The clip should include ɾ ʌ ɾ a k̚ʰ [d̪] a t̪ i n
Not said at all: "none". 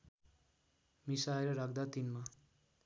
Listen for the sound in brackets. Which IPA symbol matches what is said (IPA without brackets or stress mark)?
d̪